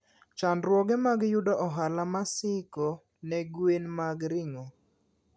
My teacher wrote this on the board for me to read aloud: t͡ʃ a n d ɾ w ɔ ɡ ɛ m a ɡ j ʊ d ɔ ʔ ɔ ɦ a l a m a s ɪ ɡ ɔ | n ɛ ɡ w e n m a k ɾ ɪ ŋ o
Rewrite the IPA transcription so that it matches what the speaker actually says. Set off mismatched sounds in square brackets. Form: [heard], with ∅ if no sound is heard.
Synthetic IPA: t͡ʃ a n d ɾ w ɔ ɡ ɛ m a ɡ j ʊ d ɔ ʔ ɔ ɦ a l a m a s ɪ [k] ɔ | n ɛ ɡ w e n m a [ɡ] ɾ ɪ ŋ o